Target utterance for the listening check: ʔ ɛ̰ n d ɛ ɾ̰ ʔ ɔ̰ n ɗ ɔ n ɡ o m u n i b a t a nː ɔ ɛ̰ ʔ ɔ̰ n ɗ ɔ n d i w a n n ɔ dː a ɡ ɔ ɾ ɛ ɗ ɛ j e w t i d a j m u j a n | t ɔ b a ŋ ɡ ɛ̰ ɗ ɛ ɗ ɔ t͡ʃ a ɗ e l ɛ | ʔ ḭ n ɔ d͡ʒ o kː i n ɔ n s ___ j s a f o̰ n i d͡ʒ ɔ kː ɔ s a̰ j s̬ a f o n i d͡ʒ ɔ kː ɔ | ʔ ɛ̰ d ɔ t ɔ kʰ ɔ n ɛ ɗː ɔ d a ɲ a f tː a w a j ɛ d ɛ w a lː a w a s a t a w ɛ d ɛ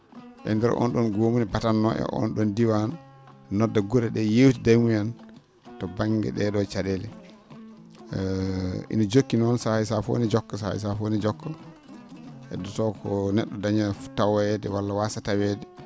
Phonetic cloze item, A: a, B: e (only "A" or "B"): A